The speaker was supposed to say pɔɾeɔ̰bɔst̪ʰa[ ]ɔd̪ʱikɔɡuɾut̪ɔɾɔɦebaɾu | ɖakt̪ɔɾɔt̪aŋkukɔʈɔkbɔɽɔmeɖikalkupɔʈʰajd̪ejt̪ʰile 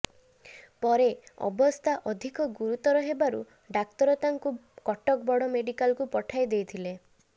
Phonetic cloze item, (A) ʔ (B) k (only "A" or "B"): A